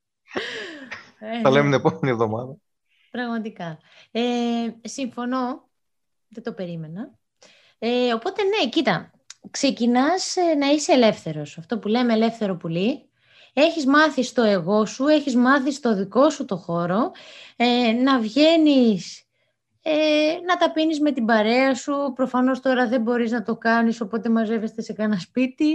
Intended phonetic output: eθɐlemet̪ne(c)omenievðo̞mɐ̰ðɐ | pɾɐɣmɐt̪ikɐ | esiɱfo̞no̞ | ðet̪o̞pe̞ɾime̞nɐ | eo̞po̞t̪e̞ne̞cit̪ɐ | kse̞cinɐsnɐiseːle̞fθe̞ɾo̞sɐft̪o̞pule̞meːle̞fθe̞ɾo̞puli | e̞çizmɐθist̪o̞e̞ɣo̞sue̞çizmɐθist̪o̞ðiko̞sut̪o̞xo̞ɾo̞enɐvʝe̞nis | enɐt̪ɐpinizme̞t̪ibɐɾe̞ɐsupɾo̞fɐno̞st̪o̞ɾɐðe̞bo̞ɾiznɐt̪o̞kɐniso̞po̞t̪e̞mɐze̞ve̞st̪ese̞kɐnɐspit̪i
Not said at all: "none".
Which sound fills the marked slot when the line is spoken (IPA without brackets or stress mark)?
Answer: p